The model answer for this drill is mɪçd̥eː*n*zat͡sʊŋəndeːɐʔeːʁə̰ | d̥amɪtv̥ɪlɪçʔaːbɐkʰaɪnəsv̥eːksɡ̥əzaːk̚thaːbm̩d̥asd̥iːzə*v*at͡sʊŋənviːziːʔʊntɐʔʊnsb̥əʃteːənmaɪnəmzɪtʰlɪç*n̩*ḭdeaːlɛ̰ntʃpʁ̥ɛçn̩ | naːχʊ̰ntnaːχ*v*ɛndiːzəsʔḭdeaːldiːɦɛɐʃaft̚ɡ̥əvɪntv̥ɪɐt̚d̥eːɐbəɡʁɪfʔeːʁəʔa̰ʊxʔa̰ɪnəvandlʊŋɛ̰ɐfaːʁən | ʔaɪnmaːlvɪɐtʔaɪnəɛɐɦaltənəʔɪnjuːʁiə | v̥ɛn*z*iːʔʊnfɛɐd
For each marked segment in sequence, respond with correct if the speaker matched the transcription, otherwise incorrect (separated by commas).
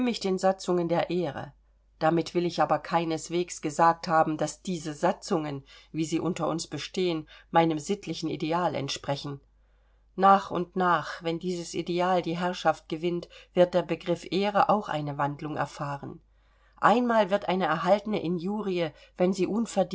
correct, incorrect, correct, correct, correct